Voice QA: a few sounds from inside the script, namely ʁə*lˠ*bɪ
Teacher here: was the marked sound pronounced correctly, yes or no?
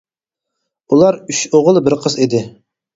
yes